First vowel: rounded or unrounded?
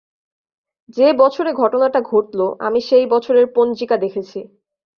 unrounded